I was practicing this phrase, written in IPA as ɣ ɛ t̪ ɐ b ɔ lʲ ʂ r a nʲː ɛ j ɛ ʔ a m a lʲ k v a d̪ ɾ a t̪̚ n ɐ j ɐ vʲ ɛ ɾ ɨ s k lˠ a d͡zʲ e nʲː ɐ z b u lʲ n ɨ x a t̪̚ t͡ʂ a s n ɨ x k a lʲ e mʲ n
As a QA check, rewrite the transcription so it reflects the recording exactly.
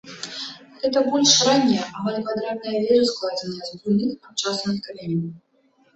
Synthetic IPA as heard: ɣ ɛ t̪ ɐ b ɔ lʲ ʂ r a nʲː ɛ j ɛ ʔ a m a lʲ k v a d̪ ɾ a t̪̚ n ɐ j ɐ vʲ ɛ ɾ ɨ s k lˠ a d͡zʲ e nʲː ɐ z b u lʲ n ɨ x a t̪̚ t͡ʂ a s n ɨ x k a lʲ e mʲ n